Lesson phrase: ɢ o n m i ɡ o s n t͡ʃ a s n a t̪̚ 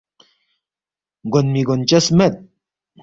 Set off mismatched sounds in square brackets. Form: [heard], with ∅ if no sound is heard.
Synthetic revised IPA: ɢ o n m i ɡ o [∅] n t͡ʃ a s [m] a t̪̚